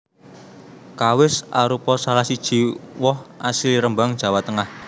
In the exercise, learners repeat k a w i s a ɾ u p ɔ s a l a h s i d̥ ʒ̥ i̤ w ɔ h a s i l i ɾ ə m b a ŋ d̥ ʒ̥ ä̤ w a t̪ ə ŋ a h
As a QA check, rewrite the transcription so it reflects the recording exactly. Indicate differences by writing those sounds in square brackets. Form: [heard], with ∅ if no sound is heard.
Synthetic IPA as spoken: k a w [ɪ] s a ɾ u p ɔ s a l a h s i d̥ ʒ̥ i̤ w ɔ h a s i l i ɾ ə m b a ŋ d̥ ʒ̥ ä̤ w a t̪ ə ŋ a h